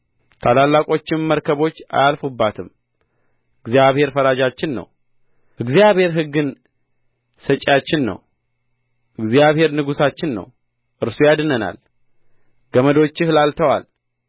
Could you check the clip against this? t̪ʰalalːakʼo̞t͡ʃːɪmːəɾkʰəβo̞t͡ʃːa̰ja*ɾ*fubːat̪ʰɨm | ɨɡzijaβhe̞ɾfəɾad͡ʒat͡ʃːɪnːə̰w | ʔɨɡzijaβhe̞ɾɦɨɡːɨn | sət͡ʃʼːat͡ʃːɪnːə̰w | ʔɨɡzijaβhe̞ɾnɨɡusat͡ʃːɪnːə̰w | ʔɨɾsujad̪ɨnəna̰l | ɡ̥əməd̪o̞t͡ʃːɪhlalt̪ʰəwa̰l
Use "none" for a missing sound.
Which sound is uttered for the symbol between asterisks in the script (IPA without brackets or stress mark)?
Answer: l